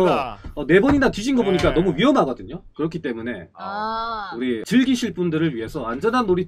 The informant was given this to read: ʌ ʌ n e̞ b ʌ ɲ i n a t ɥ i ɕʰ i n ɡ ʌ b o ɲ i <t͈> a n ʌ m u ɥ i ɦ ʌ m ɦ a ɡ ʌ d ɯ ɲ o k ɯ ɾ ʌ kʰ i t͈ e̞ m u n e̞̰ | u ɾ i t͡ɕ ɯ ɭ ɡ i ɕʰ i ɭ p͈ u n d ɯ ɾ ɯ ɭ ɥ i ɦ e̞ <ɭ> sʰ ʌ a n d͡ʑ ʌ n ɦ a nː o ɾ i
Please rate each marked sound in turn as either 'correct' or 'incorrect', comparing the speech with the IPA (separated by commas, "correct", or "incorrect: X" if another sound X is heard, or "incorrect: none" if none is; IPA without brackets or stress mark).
incorrect: k͈, incorrect: none